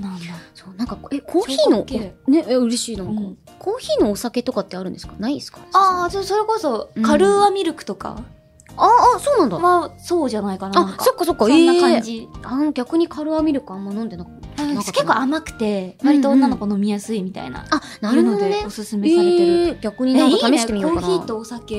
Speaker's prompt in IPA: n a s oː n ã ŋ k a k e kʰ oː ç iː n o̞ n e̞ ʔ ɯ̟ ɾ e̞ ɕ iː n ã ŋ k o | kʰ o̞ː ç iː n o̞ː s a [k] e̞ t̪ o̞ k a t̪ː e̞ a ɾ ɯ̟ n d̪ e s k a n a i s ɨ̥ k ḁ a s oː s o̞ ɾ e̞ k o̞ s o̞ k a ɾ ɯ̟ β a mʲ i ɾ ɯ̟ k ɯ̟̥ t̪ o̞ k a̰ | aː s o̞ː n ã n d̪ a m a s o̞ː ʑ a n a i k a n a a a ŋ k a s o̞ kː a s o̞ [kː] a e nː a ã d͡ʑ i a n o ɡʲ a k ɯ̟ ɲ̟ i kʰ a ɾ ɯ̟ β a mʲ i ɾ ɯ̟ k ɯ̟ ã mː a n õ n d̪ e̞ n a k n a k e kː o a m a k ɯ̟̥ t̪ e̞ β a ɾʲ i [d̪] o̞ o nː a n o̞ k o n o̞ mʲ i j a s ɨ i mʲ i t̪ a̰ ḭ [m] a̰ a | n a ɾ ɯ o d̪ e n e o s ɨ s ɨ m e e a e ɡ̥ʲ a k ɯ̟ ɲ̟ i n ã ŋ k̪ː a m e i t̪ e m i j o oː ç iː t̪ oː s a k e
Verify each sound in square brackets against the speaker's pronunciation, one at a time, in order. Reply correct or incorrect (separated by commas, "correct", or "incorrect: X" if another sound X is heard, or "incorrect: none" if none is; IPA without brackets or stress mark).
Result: correct, correct, incorrect: t̪, incorrect: n